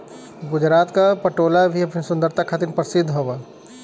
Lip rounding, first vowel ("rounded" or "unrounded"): rounded